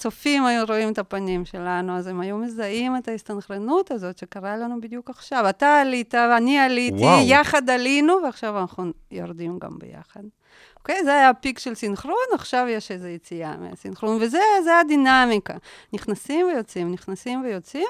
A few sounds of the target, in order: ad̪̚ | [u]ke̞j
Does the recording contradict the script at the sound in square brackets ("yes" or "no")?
yes